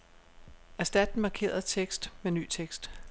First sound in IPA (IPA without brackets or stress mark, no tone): æ